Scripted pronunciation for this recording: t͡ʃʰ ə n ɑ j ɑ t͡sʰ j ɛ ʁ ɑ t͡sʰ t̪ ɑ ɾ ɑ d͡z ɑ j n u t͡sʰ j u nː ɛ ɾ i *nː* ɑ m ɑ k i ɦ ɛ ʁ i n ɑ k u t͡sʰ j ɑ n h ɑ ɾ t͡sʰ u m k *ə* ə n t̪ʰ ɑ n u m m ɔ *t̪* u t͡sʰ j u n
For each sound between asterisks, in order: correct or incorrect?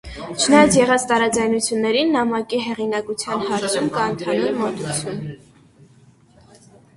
correct, incorrect: ɑ, correct

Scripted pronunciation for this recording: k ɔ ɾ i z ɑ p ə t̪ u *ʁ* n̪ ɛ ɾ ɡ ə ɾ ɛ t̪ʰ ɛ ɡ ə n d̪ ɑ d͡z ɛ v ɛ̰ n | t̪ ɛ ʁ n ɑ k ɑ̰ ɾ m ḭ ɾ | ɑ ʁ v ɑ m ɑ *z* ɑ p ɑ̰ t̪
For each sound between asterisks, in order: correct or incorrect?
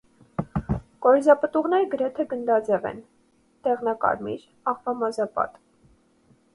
correct, correct

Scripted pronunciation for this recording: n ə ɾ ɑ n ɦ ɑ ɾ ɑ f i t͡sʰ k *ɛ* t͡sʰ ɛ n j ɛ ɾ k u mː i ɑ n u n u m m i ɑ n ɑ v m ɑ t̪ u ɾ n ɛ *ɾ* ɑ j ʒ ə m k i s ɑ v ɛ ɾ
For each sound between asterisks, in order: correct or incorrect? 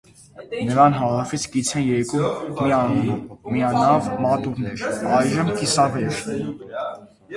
incorrect: i, correct

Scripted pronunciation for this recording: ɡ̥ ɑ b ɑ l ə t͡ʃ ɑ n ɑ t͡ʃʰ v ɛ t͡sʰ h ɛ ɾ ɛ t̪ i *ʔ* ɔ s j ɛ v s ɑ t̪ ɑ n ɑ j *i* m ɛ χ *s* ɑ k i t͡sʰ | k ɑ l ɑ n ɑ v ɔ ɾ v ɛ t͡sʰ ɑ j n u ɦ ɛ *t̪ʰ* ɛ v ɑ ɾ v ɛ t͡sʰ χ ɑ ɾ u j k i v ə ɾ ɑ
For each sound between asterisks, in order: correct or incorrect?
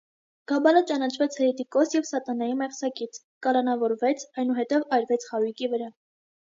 incorrect: k, correct, correct, incorrect: t̪

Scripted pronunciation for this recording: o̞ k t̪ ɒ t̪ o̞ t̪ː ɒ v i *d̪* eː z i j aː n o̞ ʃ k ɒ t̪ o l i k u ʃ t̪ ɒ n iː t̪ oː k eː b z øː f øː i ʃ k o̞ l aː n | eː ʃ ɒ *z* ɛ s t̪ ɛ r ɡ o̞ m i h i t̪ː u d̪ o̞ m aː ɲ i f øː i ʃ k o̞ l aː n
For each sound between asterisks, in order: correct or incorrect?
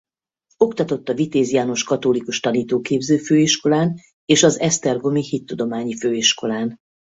incorrect: t̪, correct

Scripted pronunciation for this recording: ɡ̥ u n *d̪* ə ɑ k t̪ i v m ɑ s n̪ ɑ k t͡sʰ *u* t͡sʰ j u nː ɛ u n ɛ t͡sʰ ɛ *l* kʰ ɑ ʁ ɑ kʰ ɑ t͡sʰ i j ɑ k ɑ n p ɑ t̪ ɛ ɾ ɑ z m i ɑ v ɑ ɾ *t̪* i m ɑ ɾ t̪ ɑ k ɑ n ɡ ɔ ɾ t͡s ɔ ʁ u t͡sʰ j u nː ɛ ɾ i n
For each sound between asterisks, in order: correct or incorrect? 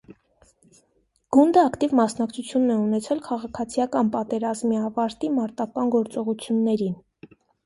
correct, correct, correct, correct

